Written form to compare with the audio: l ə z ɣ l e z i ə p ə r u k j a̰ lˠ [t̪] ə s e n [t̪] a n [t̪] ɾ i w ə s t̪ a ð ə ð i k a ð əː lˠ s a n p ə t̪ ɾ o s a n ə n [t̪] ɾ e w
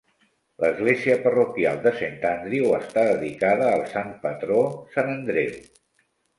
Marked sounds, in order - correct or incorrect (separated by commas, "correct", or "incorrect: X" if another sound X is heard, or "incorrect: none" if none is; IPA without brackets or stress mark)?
incorrect: d̪, correct, incorrect: d̪, incorrect: d̪